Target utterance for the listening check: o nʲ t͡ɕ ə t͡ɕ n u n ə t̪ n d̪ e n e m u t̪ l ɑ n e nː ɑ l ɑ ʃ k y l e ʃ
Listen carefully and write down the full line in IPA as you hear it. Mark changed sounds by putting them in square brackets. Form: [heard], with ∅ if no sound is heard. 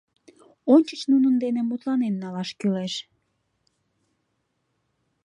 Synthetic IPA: o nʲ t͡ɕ ə t͡ɕ n u n ə [∅] n d̪ e n e m u t̪ l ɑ n e nː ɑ l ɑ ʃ k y l e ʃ